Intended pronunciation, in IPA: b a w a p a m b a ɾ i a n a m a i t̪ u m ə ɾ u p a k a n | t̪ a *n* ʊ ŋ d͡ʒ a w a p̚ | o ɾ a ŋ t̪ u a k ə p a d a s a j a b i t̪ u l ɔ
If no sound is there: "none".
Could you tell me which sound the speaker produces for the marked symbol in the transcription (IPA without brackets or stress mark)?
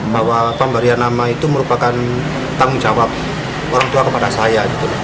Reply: ŋ